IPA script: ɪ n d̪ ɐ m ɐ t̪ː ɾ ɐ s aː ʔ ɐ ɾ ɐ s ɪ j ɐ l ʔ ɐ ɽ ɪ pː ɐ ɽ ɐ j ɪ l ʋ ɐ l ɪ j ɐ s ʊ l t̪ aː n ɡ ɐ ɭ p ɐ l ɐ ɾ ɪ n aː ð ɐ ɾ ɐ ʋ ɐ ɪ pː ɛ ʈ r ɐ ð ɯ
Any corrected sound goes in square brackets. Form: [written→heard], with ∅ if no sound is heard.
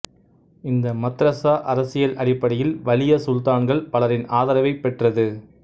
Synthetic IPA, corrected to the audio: ɪ n d̪ ɐ m ɐ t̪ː ɾ ɐ s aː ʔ ɐ ɾ ɐ s ɪ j ɐ l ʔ ɐ ɽ ɪ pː ɐ ɽ ɐ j ɪ l ʋ ɐ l ɪ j ɐ s ʊ l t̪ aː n ɡ ɐ ɭ p ɐ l ɐ ɾ ɪ n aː ð ɐ ɾ ɐ ʋ ɐ ɪ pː ɛ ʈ r ɐ ð ɯ